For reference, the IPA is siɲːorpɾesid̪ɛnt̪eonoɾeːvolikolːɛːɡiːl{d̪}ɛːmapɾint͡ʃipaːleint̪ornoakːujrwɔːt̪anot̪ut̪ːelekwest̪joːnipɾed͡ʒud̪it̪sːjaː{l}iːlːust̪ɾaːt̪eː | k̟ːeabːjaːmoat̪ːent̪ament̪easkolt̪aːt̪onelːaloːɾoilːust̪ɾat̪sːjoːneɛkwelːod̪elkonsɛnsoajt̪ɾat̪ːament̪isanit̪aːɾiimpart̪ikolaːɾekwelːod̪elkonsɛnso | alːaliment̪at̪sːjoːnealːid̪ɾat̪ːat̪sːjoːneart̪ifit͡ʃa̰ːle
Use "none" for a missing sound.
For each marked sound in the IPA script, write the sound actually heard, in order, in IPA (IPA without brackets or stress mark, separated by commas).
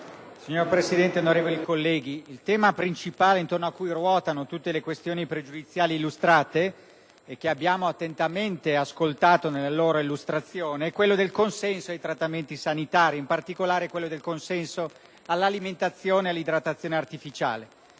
t̪, l